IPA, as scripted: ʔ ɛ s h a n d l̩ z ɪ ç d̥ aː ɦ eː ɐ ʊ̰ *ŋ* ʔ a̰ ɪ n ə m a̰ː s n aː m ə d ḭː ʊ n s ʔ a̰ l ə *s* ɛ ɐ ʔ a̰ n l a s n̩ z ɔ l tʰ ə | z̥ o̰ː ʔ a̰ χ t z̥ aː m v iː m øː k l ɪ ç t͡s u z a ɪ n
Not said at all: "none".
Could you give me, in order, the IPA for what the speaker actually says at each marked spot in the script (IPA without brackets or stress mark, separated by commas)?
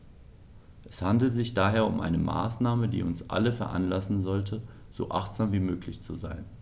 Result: m, f